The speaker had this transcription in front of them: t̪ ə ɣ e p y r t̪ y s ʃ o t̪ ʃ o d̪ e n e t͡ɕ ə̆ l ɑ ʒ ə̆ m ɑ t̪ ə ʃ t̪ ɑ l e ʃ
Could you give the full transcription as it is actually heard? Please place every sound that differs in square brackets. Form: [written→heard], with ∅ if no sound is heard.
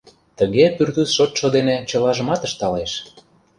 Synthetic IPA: t̪ ə ɣ e p y r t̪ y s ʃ o t̪ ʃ o d̪ e n e t͡ɕ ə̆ l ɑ ʒ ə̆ m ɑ t̪ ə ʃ t̪ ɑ l e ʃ